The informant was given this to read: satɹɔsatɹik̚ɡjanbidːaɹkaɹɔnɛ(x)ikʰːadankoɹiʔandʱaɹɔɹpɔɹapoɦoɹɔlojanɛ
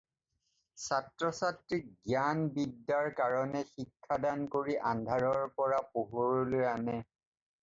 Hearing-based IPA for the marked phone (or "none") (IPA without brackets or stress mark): x